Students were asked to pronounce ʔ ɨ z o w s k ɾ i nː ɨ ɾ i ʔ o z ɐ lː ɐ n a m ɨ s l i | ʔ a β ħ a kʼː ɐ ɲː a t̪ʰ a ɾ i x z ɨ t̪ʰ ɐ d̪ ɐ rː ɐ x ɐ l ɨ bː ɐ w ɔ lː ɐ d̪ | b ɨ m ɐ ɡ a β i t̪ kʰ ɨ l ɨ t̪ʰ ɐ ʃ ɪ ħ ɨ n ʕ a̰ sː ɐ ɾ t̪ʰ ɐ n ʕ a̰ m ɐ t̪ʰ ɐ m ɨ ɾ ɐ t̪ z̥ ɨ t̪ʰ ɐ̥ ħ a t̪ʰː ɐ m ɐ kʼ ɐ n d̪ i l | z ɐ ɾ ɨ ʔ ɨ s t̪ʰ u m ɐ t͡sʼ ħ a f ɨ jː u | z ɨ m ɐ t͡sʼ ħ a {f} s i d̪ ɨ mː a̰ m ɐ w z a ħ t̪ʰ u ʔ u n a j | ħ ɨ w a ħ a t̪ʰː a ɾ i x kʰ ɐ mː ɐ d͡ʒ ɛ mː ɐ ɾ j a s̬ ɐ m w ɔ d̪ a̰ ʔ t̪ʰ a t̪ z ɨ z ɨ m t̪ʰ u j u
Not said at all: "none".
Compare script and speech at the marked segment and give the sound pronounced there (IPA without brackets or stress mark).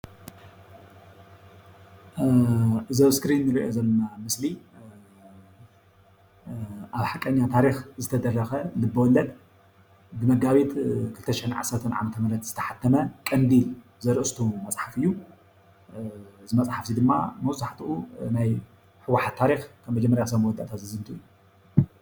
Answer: f